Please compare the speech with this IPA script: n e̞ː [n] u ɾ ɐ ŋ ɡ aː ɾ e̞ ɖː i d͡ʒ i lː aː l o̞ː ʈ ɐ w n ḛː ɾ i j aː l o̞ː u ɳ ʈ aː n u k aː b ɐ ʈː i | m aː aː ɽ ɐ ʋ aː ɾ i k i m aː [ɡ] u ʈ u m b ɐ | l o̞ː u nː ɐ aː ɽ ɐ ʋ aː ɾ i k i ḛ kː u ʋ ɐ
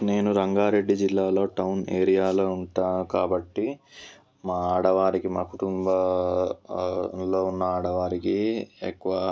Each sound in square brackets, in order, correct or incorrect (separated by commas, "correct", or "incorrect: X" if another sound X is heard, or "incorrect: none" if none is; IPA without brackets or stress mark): correct, incorrect: k